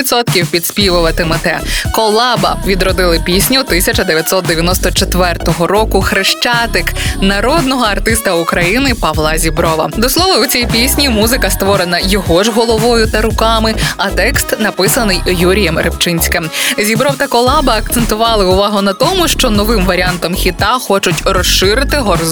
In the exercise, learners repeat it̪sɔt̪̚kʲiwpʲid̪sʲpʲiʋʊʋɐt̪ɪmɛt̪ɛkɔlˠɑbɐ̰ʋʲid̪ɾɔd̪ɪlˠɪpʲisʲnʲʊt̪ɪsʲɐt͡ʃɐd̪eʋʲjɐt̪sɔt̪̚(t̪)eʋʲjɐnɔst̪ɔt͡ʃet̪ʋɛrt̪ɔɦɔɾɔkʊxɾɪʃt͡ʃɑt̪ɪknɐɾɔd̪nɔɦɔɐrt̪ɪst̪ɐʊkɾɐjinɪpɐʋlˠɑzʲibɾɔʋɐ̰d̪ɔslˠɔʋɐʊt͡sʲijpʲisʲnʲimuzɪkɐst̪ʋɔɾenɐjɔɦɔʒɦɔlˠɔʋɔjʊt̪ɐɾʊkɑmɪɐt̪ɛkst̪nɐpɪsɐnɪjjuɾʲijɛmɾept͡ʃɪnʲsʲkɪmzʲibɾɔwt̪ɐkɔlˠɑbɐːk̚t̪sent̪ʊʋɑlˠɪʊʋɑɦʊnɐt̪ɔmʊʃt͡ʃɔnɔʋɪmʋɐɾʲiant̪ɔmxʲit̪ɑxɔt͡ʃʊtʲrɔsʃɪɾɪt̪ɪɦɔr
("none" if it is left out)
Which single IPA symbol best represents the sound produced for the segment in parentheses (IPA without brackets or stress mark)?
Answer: d̪